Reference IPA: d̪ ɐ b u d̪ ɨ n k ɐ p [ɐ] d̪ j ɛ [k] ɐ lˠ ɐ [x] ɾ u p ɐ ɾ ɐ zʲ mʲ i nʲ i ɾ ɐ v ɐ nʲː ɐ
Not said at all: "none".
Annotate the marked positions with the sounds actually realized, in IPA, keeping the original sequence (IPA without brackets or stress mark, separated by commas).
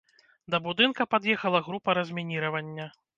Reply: a, x, ɣ